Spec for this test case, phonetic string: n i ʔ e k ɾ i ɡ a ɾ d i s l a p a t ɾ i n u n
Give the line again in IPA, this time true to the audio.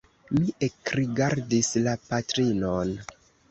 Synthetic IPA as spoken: m i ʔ e k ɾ i ɡ a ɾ d i s l a p a t ɾ i n o n